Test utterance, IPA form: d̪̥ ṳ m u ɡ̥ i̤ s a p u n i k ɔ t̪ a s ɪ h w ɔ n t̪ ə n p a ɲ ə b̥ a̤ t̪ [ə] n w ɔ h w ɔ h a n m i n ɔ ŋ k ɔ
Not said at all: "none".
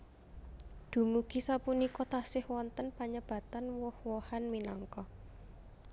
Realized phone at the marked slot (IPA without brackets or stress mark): a